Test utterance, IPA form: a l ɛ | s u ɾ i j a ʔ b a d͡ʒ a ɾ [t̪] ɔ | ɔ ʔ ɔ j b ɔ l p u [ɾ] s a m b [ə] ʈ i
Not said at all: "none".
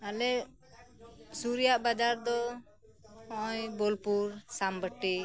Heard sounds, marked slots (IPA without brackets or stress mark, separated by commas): d̪, ɾ, ə